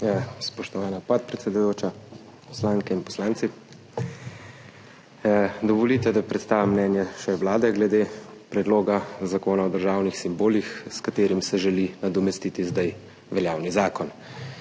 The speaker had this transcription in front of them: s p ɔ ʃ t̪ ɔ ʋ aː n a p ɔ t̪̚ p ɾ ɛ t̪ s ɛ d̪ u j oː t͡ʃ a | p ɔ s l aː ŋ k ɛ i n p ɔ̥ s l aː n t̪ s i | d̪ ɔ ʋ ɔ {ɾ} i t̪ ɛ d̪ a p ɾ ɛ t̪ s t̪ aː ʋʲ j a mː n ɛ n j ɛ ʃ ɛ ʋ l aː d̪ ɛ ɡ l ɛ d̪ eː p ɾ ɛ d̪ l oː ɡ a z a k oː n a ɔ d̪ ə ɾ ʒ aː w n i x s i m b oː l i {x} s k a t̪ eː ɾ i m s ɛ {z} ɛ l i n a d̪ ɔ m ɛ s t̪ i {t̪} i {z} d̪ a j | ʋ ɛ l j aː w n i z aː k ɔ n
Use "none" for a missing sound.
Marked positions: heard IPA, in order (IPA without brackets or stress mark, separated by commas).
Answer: l, x, ʒ, t̪, z